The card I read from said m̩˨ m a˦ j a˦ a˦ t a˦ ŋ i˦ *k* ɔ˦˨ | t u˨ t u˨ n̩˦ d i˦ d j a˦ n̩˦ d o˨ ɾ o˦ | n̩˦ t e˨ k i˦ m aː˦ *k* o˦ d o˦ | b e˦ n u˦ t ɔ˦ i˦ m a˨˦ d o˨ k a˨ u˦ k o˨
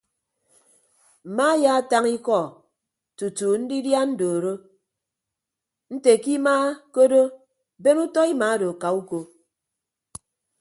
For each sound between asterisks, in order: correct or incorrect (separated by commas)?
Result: correct, correct